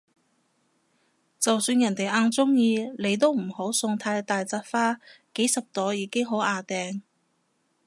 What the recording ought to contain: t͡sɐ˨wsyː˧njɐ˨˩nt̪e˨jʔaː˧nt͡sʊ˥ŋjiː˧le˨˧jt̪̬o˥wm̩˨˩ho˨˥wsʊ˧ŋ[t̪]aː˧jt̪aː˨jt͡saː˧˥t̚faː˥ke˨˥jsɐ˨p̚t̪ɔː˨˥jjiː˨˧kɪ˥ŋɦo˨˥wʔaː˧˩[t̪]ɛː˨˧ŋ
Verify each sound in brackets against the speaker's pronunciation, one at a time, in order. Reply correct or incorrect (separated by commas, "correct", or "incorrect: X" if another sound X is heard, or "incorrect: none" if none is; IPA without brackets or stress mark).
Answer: incorrect: t̪ʰ, correct